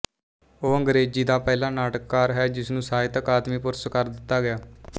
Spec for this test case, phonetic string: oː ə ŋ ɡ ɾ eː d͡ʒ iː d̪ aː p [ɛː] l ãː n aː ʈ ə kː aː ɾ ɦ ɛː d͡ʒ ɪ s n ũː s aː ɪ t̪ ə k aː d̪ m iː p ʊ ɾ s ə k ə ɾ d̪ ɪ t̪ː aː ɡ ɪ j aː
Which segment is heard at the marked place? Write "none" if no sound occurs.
ɛː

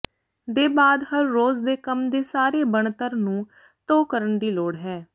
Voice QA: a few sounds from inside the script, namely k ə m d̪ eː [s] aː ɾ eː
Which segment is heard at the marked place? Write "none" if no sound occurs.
s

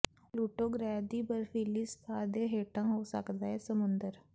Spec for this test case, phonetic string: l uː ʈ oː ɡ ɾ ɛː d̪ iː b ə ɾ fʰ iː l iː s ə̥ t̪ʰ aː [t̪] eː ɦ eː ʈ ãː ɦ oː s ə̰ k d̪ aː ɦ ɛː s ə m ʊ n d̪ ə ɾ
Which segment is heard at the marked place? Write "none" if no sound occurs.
d̪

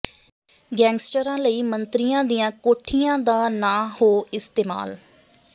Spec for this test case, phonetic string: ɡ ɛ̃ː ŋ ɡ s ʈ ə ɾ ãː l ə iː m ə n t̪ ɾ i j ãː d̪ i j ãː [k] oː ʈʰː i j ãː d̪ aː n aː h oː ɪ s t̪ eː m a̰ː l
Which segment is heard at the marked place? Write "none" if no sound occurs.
k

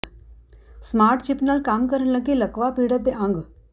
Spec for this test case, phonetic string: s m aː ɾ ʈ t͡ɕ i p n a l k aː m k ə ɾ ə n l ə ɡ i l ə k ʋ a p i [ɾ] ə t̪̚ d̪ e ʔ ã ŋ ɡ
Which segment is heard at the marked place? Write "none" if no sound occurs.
ɽ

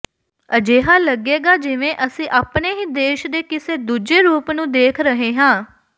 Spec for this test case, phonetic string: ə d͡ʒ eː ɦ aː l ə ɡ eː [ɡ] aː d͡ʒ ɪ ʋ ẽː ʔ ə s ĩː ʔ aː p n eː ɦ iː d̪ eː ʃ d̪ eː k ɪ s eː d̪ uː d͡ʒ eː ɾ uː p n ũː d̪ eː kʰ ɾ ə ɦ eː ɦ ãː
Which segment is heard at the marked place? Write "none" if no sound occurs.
ɡ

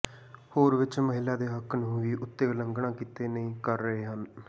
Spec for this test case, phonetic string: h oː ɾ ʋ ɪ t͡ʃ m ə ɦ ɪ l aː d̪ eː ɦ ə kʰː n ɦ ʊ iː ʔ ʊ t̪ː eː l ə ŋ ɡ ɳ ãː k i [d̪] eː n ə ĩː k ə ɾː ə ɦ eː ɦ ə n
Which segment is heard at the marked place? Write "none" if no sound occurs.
t̪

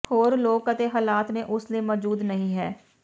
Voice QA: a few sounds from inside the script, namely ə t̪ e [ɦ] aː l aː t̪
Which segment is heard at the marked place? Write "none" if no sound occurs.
ɦ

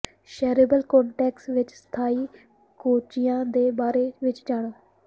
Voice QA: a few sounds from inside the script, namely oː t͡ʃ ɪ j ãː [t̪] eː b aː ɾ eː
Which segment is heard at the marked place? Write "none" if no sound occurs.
d̪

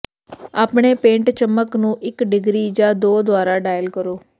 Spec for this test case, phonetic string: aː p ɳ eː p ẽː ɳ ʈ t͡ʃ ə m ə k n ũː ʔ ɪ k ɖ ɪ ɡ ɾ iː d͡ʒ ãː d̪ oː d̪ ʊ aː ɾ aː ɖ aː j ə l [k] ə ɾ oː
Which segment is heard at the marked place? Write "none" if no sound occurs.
k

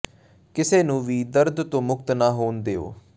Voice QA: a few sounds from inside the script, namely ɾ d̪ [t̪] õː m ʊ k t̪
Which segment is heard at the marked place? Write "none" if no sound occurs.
t̪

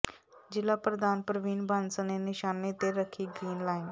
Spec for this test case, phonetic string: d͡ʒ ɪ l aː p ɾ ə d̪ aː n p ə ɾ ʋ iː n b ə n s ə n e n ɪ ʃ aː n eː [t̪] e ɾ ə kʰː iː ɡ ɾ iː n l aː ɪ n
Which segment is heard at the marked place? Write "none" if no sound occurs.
t̪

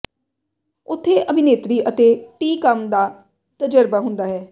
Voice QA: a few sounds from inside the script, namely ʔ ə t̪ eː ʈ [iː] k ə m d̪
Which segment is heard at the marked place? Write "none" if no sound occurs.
iː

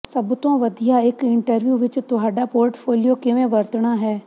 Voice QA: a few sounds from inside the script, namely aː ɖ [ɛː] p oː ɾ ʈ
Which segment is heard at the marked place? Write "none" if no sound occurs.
aː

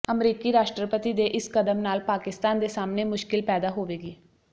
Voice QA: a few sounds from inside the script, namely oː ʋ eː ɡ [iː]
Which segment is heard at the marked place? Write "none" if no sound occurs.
iː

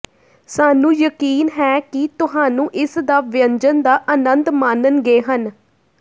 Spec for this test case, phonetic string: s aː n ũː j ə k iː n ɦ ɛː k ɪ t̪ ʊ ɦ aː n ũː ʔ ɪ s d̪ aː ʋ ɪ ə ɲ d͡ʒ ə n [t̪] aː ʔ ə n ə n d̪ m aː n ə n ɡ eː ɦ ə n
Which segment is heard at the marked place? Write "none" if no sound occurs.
d̪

